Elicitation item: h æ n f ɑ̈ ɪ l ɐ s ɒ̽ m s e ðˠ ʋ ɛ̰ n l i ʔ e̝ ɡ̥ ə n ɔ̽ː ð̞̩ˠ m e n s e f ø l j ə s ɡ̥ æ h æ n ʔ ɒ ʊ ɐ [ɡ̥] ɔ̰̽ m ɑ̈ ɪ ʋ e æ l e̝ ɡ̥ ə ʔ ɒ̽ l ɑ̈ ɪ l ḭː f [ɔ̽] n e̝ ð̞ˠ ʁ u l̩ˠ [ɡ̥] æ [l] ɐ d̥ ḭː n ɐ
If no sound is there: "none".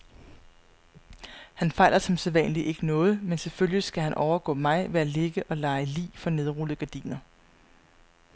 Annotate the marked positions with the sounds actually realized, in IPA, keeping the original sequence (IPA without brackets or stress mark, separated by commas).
ɡ̥, ɒ̽, ɡ̥, none